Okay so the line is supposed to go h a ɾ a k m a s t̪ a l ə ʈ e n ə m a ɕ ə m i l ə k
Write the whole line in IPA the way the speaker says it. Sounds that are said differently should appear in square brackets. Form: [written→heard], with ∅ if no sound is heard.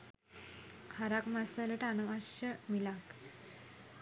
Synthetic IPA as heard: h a ɾ a k m a s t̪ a l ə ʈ [e→a] n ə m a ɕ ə m i l [ə→a] k